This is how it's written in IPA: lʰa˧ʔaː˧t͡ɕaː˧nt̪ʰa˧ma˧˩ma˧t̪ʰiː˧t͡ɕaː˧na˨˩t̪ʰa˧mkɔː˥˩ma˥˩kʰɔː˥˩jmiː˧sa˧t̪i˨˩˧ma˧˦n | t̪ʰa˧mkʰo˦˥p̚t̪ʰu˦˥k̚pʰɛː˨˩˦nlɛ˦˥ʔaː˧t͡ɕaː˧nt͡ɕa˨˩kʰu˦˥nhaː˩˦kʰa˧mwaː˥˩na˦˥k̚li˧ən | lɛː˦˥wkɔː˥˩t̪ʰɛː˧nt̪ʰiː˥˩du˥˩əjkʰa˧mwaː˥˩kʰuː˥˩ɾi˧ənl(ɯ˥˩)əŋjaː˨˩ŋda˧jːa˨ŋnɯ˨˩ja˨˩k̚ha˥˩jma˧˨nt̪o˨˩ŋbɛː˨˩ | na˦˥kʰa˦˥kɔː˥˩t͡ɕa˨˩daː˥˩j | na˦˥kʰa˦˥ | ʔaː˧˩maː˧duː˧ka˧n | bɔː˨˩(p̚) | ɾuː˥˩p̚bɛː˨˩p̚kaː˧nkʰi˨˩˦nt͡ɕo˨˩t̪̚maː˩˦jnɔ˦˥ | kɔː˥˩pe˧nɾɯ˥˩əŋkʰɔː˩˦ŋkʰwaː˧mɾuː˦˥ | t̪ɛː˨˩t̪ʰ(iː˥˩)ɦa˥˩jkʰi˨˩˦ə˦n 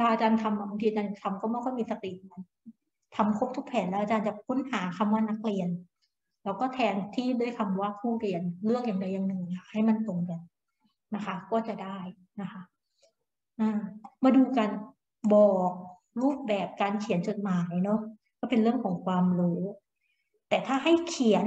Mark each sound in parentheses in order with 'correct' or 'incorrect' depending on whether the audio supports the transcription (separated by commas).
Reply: correct, incorrect, incorrect